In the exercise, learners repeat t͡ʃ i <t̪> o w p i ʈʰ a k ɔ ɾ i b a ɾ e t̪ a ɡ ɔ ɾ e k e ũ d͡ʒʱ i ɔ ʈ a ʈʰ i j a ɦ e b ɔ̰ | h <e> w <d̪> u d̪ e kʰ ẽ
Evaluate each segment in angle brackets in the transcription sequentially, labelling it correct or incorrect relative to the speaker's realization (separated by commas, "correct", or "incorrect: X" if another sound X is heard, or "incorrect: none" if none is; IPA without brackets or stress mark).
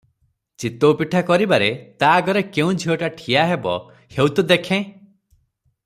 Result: correct, correct, incorrect: t̪